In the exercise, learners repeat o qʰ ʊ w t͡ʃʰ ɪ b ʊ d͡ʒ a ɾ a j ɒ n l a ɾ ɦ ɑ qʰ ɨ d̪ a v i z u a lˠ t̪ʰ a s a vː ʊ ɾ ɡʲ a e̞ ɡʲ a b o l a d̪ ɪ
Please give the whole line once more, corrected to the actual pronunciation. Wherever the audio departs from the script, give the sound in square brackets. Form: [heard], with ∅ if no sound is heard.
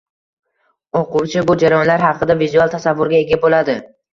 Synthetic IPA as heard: o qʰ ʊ w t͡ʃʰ ɪ b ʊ d͡ʒ a ɾ a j ɒ n l a ɾ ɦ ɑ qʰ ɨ d̪ a v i z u a lˠ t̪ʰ a s a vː ʊ ɾ ɡʲ a e̞ ɡʲ a b o l a d̪ ɪ